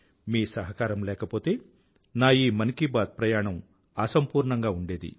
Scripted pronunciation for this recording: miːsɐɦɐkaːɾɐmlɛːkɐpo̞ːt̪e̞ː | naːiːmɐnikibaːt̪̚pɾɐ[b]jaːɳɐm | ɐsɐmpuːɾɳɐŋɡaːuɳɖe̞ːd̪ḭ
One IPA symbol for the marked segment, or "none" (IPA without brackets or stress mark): none